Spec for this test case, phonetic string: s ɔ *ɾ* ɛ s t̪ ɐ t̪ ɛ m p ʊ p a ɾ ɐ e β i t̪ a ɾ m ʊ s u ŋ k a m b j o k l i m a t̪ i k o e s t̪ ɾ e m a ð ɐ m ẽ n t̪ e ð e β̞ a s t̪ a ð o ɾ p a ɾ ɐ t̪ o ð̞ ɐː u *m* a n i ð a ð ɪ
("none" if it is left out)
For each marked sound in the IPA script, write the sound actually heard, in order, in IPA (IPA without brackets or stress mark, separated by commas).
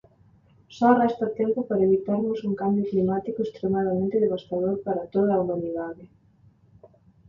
r, m